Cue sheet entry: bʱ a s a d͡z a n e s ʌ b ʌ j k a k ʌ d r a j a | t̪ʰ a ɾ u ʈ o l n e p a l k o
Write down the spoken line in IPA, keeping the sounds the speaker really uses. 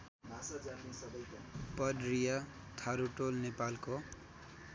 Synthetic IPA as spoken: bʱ a s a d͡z a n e s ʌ b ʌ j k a p ʌ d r i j a | t̪ʰ a ɾ u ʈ o l n e p a l k o